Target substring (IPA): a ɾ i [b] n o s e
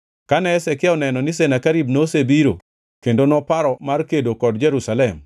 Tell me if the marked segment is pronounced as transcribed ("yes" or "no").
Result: yes